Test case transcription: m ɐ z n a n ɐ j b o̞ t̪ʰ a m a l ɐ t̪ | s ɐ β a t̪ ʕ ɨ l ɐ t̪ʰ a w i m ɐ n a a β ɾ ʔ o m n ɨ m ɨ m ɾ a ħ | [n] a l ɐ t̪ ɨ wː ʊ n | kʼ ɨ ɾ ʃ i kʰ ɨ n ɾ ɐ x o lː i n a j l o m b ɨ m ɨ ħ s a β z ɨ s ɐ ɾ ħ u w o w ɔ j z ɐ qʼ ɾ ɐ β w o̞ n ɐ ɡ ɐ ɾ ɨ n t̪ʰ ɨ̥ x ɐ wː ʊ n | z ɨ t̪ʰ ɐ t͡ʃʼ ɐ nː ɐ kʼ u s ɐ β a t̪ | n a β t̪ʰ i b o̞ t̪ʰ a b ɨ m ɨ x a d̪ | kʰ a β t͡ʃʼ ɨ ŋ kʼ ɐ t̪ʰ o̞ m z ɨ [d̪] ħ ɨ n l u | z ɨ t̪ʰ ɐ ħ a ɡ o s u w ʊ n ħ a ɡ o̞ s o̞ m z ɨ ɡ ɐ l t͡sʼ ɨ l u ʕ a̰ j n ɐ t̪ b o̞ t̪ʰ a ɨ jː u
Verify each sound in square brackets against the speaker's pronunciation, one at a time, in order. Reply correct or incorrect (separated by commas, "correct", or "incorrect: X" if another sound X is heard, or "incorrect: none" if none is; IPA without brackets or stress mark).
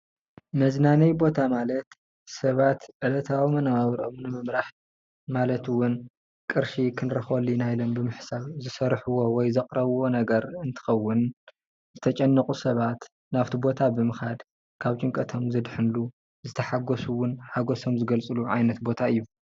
incorrect: m, correct